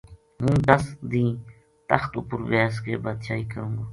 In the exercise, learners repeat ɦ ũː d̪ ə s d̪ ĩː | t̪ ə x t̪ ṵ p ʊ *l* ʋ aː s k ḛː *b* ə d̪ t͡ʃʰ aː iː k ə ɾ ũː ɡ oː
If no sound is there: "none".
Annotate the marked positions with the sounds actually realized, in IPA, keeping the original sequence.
ɾ, b

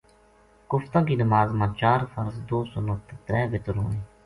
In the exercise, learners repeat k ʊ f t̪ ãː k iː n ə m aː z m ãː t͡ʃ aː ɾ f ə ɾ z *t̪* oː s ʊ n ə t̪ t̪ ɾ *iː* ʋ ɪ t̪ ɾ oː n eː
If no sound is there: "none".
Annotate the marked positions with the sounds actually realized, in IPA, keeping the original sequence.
d̪, ɛː

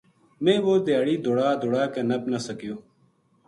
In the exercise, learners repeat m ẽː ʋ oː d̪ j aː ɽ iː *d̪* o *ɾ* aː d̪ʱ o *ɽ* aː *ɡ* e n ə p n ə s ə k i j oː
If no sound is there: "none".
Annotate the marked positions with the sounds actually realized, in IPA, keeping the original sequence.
d̪, ɽ, ɽ, k

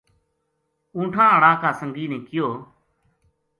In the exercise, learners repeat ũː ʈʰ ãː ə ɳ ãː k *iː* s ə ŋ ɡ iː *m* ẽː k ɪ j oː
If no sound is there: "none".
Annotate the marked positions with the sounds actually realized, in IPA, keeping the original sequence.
aː, n

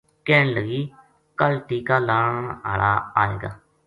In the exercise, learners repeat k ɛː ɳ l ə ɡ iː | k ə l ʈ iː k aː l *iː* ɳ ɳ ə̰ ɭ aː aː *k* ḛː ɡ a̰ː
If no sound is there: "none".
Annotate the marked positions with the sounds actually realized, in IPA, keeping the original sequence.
aː, none

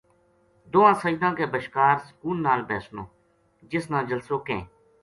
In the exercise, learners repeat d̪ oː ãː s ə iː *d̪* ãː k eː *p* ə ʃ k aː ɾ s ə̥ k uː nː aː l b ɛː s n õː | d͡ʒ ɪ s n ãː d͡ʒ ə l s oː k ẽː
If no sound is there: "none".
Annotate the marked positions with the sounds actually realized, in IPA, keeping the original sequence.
d̪, b

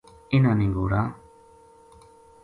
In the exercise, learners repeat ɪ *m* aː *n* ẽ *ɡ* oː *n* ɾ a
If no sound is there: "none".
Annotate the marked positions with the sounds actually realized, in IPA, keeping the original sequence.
n, n, ɡ, none

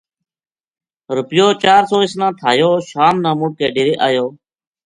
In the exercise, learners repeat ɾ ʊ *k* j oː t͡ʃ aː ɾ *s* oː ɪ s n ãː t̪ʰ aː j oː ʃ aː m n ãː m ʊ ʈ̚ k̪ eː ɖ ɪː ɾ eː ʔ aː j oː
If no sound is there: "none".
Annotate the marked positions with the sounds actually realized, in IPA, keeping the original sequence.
p, s

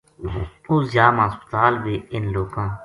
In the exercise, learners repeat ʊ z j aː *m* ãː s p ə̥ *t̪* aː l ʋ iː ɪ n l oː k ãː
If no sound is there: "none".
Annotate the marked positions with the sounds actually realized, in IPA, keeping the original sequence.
m, t̪

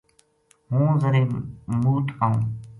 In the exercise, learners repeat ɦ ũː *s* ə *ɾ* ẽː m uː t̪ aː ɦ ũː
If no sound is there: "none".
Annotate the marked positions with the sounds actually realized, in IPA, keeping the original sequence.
z, ɾ

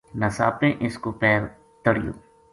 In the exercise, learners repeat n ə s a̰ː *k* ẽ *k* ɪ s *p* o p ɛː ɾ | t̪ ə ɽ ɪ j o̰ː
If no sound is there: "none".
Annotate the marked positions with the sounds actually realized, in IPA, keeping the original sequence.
p, ʔ, k

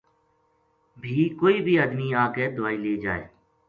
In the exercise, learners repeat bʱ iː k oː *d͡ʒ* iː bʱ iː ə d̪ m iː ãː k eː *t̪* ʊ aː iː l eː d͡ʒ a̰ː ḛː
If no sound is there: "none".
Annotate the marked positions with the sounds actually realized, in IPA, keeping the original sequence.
none, d̪

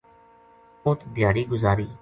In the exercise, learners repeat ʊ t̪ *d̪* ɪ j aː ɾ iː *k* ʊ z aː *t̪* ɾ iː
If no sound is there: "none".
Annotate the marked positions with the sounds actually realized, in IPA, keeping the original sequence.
d̪, ɡ, none

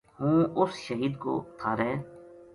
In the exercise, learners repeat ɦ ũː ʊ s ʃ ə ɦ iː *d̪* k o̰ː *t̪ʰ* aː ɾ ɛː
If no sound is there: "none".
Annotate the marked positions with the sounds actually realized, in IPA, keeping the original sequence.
d̪, t̪ʰ

